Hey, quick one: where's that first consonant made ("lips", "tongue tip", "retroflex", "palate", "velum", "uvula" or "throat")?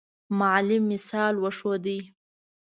lips